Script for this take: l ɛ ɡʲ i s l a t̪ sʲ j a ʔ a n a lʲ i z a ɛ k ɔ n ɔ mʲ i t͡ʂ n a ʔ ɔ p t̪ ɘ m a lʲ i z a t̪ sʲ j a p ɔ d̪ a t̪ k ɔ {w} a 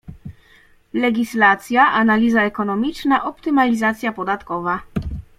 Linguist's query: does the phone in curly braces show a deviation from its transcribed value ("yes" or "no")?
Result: yes